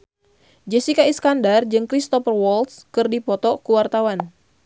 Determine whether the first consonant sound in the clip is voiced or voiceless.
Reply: voiced